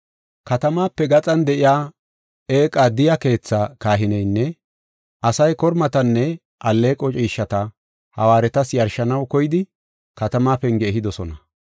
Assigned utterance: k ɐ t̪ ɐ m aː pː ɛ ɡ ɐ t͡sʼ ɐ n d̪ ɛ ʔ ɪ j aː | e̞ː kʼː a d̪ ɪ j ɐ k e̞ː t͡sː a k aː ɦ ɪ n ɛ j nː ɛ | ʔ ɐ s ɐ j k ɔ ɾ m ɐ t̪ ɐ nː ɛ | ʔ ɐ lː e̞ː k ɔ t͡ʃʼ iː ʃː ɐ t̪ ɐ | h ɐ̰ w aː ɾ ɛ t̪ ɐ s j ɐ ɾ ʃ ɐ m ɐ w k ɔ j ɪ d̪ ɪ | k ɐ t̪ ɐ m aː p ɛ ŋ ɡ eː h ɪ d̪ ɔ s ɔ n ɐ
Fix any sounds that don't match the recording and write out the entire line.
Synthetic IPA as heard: k ɐ t̪ ɐ m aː pː ɛ ɡ ɐ t͡sʼ ɐ n d̪ ɛ ʔ ɪ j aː | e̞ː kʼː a d̪ ɪ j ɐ k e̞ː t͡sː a k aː ɦ ɪ n ɛ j nː ɛ | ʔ ɐ s ɐ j k ɔ ɾ m ɐ t̪ ɐ nː ɛ | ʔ ɐ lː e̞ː kʼ ɔ t͡ʃʼ iː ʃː ɐ t̪ ɐ | h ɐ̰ w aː ɾ ɛ t̪ ɐ s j ɐ ɾ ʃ ɐ n ɐ w k ɔ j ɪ d̪ ɪ | k ɐ t̪ ɐ m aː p ɛ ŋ ɡ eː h ɪ d̪ ɔ s ɔ n ɐ